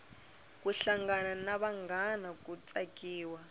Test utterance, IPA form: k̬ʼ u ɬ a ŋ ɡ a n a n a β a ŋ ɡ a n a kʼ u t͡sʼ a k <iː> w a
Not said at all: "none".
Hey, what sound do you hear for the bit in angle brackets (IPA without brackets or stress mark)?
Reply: iː